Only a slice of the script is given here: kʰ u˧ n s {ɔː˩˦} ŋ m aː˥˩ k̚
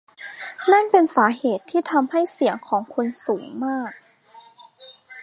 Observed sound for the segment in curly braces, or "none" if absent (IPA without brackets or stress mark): uː˩˦